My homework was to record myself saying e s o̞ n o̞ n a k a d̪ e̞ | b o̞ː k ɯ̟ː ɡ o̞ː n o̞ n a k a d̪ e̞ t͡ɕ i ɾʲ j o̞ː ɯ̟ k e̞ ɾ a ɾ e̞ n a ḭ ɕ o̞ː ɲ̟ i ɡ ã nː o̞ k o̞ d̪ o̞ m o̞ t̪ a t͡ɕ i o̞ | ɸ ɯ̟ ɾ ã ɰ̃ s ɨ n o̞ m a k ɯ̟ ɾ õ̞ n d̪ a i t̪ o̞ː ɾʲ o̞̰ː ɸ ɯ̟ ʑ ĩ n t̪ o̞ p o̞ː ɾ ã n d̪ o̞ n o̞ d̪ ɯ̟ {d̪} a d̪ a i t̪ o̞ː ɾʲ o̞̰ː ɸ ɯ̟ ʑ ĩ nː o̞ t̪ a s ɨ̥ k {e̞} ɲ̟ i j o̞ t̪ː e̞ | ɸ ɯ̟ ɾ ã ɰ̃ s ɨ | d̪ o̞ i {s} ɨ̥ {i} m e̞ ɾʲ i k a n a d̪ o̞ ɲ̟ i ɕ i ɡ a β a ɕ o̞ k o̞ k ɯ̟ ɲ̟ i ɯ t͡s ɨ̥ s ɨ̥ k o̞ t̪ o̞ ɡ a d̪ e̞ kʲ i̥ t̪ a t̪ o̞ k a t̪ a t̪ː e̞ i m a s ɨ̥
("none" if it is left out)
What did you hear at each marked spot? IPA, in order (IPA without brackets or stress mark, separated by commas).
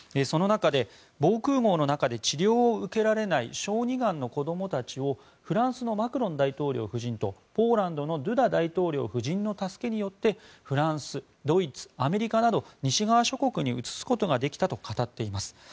d̪, e̞, t͡s, a